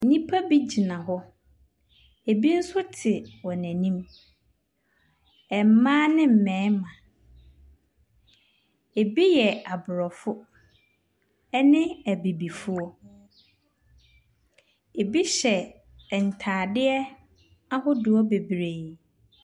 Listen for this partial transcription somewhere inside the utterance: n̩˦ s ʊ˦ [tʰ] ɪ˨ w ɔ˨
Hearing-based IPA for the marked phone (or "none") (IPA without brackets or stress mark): tʰ